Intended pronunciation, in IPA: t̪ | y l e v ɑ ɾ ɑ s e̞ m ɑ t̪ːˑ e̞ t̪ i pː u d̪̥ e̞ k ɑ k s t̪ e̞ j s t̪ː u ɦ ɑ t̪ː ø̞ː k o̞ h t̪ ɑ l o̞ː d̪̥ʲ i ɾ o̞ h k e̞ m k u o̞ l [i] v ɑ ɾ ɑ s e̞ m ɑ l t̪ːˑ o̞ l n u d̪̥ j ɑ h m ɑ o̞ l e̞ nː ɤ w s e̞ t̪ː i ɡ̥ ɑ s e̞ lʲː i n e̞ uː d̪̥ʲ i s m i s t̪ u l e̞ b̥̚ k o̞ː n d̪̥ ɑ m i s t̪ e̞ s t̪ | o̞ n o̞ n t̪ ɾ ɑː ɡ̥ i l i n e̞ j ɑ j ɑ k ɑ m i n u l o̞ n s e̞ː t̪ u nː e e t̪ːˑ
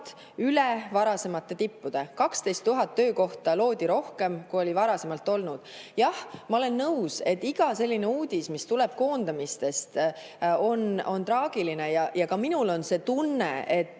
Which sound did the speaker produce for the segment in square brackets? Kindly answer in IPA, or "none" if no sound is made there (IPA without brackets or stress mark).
i